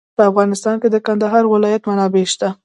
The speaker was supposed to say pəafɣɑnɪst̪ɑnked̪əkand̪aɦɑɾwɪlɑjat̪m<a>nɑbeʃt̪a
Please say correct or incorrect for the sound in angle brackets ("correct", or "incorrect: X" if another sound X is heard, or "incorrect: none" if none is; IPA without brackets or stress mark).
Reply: correct